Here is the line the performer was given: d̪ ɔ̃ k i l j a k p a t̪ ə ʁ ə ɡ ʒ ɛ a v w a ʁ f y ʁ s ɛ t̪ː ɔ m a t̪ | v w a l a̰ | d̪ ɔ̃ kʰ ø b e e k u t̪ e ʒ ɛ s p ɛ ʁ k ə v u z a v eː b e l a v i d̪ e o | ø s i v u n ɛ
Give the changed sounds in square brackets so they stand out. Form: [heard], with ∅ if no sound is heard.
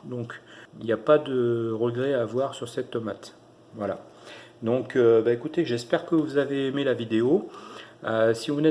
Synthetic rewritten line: d̪ ɔ̃ k i l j a [∅] p a [d̪] ə ʁ ə ɡ [ʁ] ɛ a v w a ʁ [s] y ʁ s ɛ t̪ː ɔ m a t̪ | v w a l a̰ | d̪ ɔ̃ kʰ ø b [a] e k u t̪ e ʒ ɛ s p ɛ ʁ k ə v u z a v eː [m] e l a v i d̪ e o | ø s i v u n ɛ